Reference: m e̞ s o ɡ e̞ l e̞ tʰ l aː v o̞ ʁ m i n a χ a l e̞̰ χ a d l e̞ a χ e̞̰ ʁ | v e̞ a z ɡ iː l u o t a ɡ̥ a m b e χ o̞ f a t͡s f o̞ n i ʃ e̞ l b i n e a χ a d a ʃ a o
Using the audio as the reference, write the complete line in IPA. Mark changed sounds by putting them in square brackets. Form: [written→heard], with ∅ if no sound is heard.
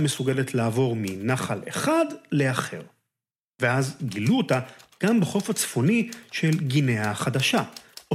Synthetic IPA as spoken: m e̞ s [o→u] ɡ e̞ l e̞ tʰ l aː v o̞ ʁ m i n a χ a l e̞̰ χ a d l e̞ a χ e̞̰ ʁ | v e̞ a z ɡ [iː→i] l u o t a ɡ̥ a m b e χ o̞ f a t͡s f o̞ n i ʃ e̞ l [b→ɡ] i n e a χ a d a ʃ a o